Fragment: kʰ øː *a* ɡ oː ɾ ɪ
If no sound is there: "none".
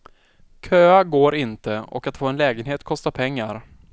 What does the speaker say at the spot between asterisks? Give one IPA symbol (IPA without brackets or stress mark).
a